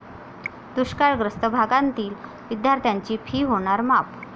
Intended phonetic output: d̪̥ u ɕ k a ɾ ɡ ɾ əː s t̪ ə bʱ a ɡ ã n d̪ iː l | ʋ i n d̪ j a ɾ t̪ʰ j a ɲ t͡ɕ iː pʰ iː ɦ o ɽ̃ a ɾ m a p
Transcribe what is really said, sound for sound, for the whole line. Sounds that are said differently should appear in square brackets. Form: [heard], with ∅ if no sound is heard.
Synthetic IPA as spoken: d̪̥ u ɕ k a ɾ ɡ ɾ [ə] s t̪ ə bʱ a ɡ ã n [t̪] iː l | ʋ i [∅] d̪ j a ɾ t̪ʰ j a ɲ t͡ɕ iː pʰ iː ɦ o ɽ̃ a ɾ m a p